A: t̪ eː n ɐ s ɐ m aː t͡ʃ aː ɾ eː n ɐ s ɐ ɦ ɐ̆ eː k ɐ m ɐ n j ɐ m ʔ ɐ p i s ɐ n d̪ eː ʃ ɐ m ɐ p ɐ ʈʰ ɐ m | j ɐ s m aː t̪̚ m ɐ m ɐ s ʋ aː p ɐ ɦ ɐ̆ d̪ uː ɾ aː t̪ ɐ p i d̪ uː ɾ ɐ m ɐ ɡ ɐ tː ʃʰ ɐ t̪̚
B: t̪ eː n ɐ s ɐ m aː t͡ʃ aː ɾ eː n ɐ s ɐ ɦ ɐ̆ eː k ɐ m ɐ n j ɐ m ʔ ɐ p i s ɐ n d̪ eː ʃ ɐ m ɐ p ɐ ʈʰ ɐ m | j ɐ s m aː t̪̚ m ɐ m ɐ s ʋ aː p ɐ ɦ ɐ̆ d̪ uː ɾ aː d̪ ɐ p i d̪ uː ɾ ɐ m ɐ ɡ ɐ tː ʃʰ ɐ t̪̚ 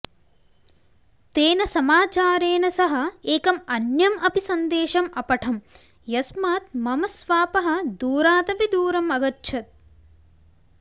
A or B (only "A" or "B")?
A